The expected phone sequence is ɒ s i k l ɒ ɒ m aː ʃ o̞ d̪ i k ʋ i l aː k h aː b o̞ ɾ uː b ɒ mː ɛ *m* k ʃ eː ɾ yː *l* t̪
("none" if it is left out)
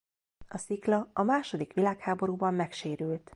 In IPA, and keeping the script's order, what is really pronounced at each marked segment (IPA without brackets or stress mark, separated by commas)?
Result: none, l